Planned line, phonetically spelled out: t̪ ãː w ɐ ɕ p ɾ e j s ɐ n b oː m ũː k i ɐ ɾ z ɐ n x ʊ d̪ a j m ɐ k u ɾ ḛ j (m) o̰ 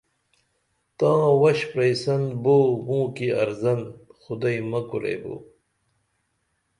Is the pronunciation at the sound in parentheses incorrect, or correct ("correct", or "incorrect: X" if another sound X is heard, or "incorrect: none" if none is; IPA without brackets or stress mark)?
incorrect: b